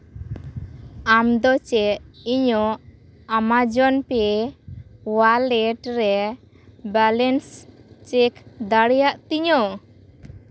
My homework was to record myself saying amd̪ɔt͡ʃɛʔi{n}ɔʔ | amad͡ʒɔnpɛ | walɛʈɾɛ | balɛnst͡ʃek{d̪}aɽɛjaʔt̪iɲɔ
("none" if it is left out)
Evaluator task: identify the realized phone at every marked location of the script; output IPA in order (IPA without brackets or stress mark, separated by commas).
ɲ, d̪